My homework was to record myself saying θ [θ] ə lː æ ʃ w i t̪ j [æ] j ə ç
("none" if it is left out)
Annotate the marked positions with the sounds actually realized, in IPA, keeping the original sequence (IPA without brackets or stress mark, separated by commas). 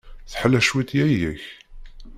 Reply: ħ, æ